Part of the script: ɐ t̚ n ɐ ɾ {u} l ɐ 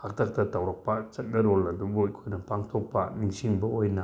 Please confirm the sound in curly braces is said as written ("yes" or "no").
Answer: no